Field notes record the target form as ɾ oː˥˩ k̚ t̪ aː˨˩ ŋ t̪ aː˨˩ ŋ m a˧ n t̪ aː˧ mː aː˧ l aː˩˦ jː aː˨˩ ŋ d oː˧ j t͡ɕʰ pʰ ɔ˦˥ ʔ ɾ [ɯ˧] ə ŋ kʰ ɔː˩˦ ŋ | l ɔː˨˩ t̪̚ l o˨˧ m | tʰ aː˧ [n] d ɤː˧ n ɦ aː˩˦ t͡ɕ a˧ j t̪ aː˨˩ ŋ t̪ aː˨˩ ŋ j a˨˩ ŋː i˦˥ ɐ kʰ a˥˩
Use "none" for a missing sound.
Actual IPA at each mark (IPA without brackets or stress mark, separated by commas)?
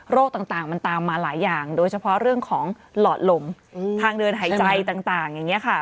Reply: ɯ˥˩, ŋ